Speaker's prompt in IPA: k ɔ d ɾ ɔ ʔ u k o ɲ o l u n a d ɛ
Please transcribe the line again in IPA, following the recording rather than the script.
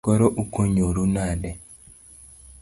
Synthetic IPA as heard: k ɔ ɾ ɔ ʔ u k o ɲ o ɾ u n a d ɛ